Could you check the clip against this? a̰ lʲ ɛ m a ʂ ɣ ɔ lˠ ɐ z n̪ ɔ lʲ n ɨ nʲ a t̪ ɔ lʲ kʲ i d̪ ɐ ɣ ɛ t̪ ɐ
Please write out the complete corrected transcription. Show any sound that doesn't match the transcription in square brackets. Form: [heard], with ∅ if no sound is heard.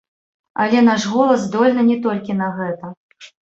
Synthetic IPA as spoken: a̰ lʲ ɛ [n] a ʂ ɣ ɔ lˠ ɐ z [d̪] ɔ lʲ n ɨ nʲ [ɛ] t̪ ɔ lʲ kʲ i [n̪] ɐ ɣ ɛ t̪ ɐ